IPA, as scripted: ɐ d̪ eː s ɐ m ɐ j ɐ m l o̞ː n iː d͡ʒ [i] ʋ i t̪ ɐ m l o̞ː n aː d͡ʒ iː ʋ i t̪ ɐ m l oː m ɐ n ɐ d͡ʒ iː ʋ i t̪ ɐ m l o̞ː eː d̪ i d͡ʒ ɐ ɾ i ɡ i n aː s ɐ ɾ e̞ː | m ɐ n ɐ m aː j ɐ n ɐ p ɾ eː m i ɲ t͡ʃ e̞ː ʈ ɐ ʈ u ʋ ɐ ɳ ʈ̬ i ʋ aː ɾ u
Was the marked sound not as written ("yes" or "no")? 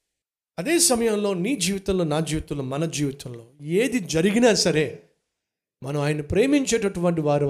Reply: yes